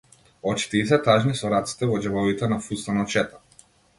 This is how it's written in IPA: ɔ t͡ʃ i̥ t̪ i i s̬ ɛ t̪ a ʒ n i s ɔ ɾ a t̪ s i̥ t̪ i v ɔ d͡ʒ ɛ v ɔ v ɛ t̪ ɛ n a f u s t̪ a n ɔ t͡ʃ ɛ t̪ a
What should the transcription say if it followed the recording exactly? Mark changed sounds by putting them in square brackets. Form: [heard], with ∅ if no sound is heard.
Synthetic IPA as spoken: ɔ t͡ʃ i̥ t̪ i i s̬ ɛ t̪ a ʒ n i s ɔ ɾ a t̪ s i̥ t̪ [ɛ] v ɔ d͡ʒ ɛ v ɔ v [i] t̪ ɛ n a f u s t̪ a n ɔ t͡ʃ ɛ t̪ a